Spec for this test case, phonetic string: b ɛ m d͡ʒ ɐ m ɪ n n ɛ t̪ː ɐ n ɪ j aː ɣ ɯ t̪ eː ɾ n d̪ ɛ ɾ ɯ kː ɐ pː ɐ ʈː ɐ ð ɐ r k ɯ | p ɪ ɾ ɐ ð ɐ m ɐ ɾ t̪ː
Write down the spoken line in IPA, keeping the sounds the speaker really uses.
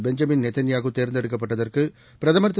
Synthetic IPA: b ɛ ɲ d͡ʒ ɐ m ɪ n n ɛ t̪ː ɐ n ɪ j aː ɣ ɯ t̪ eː ɾ n d̪ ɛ ɽ ɯ kː ɐ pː ɐ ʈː ɐ ð ɐ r k ɯ | p ɪ ɾ ɐ ð ɐ m ɐ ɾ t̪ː